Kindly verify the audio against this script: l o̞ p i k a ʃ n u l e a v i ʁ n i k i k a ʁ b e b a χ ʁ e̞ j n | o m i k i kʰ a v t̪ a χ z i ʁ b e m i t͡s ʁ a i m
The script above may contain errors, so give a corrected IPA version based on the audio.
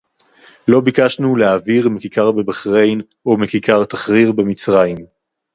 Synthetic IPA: l o̞ b i k a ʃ n u l e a v i ʁ m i k i k a ʁ b e b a χ ʁ e̞ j n | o m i k i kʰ a ʁ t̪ a χ ʁ i ʁ b e m i t͡s ʁ a i m